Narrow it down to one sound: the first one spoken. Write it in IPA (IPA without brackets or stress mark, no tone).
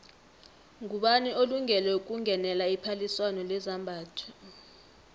ŋ